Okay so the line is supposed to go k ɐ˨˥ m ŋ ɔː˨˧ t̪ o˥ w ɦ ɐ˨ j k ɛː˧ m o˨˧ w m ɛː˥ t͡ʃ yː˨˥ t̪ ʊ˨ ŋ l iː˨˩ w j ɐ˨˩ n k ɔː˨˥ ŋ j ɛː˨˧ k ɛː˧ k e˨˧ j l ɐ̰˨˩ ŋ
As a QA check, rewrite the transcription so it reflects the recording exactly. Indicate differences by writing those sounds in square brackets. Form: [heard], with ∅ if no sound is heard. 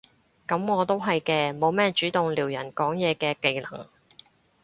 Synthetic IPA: k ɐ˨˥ m ŋ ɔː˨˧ t̪ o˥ w ɦ ɐ˨ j k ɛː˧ m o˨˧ w m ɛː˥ t͡ʃ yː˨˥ t̪ ʊ˨ ŋ l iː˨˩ w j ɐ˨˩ n k ɔː˨˥ ŋ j ɛː˨˧ k ɛː˧ k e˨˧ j l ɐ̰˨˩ ŋ

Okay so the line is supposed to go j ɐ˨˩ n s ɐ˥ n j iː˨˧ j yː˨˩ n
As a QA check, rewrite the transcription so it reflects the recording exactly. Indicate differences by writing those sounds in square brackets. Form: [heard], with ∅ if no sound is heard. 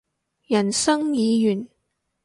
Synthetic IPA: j ɐ˨˩ n s ɐ˥ [ŋ] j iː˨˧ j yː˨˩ n

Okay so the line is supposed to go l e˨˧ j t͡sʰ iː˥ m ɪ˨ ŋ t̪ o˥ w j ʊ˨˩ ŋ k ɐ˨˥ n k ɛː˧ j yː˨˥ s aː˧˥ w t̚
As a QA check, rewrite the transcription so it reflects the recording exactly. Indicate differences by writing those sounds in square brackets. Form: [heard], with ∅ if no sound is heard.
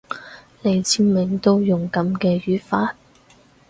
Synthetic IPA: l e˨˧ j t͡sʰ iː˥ m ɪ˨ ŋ t̪ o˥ w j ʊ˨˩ ŋ k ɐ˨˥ [m] k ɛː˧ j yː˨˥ [f] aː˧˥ [∅] t̚

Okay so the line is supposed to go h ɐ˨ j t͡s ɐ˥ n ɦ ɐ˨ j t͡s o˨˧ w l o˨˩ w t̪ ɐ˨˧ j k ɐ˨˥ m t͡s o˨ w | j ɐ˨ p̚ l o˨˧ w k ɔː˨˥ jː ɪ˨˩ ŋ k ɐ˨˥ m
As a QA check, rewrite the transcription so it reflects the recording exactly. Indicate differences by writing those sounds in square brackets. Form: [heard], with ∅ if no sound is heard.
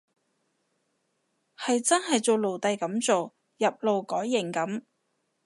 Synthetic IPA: h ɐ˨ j t͡s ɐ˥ n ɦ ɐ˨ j t͡s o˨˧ w l o˨˩ w t̪ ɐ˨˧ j k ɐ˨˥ m t͡s o˨ w | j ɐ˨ p̚ l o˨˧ w k ɔː˨˥ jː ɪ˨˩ ŋ k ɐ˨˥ m

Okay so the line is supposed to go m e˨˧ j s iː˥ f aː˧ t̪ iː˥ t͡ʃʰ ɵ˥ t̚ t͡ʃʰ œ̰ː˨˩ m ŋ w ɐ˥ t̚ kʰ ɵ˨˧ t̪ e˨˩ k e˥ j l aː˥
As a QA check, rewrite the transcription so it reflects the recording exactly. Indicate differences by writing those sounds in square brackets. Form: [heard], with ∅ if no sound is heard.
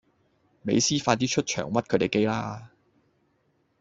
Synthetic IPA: m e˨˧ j s iː˥ f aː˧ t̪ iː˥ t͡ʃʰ ɵ˥ t̚ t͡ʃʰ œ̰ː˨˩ [∅] ŋ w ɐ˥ t̚ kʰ ɵ˨˧ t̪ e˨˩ k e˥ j l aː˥

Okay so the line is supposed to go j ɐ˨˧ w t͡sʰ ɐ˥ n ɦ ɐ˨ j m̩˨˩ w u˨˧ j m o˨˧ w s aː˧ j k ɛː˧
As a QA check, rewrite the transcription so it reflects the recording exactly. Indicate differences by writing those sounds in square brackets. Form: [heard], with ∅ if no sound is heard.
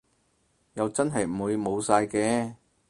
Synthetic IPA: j ɐ˨˧ w [t͡s] ɐ˥ n ɦ ɐ˨ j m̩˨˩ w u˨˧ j m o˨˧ w s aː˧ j k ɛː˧

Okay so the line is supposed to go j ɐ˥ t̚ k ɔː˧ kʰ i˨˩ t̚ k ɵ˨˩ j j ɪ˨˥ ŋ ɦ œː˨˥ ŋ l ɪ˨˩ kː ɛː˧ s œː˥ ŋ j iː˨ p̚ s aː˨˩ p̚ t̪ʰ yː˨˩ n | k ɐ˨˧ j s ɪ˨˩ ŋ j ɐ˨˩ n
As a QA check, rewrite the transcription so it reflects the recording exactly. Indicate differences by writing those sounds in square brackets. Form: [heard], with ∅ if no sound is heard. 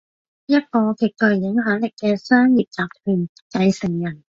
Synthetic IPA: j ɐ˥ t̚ k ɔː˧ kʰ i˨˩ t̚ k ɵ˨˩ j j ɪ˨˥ ŋ ɦ œː˨˥ ŋ l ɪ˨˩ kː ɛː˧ s œː˥ ŋ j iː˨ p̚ [t͡s] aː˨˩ p̚ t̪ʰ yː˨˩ n | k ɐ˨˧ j s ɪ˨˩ ŋ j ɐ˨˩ n

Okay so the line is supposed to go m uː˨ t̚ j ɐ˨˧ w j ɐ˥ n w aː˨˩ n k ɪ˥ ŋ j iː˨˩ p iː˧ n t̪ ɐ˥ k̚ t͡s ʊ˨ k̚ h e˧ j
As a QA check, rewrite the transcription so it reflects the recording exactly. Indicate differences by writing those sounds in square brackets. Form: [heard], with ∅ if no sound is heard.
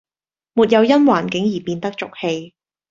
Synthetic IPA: m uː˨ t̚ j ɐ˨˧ w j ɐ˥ n w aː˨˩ n k [ɪ˨˥] ŋ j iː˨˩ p iː˧ n t̪ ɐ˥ k̚ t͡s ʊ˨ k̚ h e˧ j

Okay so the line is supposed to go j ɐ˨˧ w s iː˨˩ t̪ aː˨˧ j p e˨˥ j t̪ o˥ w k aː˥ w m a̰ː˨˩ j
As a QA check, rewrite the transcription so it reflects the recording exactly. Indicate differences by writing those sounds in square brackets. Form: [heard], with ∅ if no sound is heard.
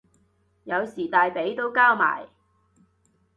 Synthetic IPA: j ɐ˨˧ w s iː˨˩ t̪ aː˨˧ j p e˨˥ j t̪ o˥ w k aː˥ w m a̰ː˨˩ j

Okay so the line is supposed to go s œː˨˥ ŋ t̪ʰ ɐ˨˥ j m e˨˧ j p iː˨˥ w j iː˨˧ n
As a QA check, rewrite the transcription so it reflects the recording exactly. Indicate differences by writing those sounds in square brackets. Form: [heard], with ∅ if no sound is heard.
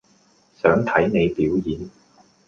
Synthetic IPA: s œː˨˥ ŋ t̪ʰ ɐ˨˥ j [n] e˨˧ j p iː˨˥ w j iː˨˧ n

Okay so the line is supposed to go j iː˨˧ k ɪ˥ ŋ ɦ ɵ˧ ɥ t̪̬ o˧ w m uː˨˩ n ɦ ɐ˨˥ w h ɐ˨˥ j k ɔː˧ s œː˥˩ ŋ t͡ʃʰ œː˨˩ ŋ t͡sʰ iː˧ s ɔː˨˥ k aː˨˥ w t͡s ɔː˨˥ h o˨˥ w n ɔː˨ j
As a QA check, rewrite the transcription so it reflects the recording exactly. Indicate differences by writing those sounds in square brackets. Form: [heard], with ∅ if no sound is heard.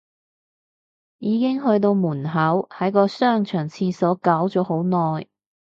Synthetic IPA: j iː˨˧ k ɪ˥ ŋ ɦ ɵ˧ ɥ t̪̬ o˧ w m uː˨˩ n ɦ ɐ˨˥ w h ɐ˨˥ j k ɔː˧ s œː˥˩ ŋ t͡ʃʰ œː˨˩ ŋ t͡sʰ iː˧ s ɔː˨˥ k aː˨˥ w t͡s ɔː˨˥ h o˨˥ w n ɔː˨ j

